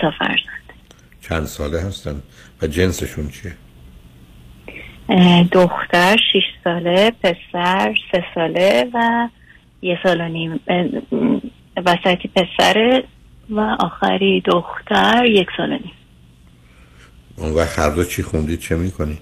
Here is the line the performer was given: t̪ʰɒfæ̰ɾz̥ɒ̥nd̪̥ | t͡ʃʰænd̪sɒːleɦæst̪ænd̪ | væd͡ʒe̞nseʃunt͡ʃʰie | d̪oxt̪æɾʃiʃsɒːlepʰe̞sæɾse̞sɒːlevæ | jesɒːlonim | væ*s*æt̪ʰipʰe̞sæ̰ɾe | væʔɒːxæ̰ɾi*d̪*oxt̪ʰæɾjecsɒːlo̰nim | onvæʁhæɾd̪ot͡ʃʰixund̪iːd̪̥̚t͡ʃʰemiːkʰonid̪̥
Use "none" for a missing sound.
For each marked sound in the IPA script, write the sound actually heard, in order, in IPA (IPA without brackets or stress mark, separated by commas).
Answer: s, d̪